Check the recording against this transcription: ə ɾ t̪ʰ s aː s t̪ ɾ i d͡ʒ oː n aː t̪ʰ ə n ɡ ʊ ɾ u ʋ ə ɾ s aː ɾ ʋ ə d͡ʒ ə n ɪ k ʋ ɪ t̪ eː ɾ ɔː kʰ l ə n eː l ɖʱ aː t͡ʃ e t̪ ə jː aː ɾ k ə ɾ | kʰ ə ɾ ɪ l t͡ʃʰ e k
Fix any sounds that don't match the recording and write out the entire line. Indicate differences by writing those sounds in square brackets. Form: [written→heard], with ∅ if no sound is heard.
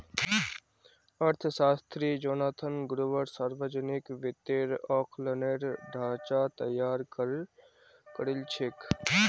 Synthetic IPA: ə ɾ t̪ʰ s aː s t̪ ɾ i d͡ʒ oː n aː t̪ʰ ə n ɡ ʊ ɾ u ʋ ə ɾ s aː ɾ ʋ ə d͡ʒ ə n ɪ k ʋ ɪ t̪ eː ɾ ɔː kʰ l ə n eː [l→ɾ] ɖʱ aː t͡ʃ [e→a] t̪ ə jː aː ɾ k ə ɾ | [kʰ→k] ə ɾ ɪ l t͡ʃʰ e k